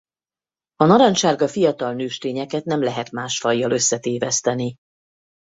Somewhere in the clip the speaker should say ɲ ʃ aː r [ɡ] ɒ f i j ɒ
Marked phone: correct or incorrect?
correct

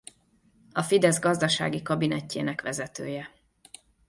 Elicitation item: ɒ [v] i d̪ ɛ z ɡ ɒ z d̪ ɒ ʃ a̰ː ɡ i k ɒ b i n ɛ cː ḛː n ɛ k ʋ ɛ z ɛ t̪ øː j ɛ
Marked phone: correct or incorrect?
incorrect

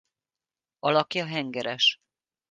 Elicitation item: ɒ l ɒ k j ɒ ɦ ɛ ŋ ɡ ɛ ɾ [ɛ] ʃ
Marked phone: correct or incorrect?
correct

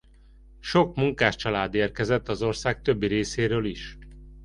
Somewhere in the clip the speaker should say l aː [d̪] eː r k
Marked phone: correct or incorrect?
correct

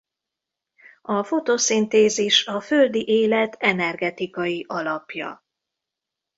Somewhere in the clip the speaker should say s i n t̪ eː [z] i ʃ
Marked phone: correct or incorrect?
correct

